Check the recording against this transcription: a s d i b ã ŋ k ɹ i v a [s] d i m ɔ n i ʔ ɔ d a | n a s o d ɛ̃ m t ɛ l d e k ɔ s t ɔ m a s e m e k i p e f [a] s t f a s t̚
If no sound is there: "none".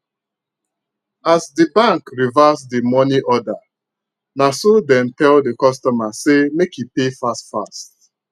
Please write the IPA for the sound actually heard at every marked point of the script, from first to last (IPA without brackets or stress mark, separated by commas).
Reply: s, a